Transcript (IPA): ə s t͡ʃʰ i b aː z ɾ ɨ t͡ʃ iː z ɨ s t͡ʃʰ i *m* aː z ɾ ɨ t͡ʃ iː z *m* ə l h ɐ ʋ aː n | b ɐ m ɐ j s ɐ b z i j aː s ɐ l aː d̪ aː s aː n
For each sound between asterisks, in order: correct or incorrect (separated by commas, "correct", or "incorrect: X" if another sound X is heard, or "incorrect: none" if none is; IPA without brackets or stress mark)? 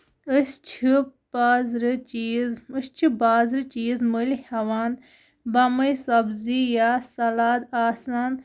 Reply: incorrect: b, correct